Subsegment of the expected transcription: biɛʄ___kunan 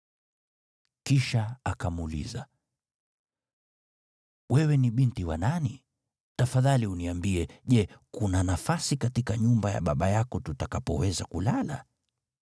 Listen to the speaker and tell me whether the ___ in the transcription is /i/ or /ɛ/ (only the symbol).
ɛ